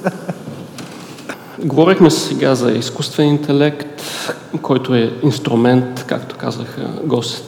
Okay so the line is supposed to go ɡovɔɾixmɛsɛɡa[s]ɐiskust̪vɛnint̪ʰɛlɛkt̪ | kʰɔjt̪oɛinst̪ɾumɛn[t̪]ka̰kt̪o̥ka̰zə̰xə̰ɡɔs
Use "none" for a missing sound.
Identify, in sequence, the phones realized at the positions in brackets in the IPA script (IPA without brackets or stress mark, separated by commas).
z, t̪